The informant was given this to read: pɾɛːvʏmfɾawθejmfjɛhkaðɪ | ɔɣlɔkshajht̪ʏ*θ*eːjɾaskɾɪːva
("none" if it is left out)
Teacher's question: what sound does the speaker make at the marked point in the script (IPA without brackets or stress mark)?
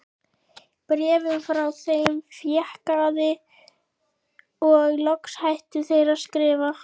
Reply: θ